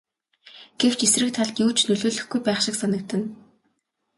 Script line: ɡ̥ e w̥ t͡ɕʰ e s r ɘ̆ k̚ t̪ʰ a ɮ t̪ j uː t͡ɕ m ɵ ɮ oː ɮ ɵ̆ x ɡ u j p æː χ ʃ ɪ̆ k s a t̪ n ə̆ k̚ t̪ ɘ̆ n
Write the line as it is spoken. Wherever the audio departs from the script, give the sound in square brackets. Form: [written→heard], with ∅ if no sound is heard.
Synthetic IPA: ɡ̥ e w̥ [t͡ɕʰ→t͡ɕ] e s r ɘ̆ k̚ t̪ʰ a ɮ t̪ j uː t͡ɕ [m→n] ɵ ɮ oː ɮ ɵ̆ x ɡ u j p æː χ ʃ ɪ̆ k s a [t̪→∅] n ə̆ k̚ t̪ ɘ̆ n